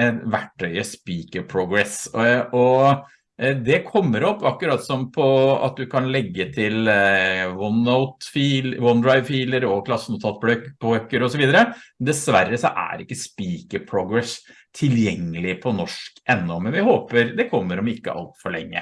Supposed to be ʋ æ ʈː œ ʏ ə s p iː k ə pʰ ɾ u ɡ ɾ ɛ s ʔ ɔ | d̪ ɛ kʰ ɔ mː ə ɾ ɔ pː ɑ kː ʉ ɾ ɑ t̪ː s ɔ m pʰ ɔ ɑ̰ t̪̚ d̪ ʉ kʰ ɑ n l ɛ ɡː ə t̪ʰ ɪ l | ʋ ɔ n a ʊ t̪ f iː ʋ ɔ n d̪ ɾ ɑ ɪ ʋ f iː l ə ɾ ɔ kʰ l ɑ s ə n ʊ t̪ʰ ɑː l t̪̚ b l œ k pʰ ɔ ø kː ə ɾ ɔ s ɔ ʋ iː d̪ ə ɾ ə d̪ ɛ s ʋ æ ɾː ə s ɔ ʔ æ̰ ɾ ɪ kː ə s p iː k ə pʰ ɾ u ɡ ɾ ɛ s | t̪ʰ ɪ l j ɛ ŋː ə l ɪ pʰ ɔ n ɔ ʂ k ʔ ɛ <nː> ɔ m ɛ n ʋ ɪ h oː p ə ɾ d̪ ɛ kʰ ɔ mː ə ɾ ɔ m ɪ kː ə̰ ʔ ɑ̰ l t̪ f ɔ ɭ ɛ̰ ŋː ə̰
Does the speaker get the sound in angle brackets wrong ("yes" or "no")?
no